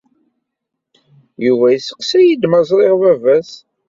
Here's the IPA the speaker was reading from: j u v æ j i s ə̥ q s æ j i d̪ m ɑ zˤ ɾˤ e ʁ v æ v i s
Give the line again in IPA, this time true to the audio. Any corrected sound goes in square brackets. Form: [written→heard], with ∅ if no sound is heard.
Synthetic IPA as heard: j u v æ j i s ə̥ q s æ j i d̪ m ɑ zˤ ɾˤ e ʁ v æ v [i→æ] s